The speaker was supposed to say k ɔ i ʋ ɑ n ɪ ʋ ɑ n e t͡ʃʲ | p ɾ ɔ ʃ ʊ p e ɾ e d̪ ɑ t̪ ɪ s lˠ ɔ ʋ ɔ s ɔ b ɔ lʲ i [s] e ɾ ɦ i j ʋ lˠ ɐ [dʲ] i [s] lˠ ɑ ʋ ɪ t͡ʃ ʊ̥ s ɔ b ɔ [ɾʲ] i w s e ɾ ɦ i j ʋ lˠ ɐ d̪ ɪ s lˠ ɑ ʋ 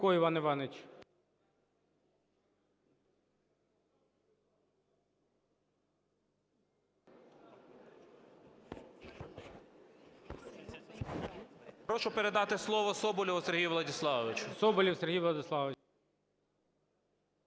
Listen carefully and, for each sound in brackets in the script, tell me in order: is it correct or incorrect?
correct, correct, correct, incorrect: lʲ

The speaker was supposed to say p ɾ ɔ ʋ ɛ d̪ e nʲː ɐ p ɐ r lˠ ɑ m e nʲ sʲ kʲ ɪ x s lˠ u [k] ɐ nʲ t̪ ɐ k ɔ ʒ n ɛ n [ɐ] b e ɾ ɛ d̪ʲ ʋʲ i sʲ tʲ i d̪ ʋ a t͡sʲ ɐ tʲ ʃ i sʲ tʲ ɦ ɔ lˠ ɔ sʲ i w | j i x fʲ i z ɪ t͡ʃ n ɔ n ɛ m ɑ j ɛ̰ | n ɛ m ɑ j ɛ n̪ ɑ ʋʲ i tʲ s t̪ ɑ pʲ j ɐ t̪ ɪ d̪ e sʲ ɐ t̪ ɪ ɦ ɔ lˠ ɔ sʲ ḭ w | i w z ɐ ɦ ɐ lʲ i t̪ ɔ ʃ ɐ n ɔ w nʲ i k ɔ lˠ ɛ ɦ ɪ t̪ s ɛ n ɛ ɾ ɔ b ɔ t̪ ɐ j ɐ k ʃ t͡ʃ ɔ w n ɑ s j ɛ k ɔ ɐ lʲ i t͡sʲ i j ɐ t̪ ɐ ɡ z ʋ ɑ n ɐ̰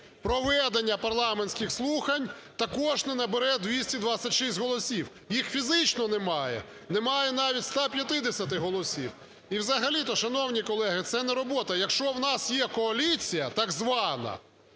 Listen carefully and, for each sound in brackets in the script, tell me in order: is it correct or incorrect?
incorrect: x, correct

